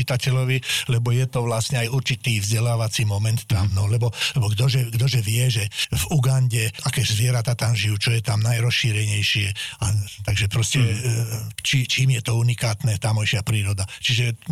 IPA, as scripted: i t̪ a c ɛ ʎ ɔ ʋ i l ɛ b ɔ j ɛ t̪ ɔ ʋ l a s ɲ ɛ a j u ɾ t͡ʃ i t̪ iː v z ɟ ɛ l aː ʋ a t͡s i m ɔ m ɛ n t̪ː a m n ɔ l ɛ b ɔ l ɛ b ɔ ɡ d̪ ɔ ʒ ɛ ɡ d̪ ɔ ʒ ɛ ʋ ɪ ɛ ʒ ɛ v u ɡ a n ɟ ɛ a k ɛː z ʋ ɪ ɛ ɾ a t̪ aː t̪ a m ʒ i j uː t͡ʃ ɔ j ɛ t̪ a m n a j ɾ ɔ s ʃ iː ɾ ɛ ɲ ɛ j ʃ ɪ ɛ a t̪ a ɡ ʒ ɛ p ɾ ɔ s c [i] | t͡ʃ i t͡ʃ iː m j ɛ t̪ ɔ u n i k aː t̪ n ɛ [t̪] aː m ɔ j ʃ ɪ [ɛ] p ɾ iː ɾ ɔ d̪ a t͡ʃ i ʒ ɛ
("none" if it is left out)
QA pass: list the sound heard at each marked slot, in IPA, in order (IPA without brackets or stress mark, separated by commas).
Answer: ɛ, t̪, a